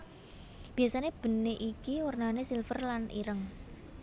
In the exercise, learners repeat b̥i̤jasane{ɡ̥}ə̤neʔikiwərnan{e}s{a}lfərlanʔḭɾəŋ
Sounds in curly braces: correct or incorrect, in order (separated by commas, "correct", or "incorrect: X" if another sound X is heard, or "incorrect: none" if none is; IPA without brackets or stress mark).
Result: incorrect: b̥, correct, incorrect: i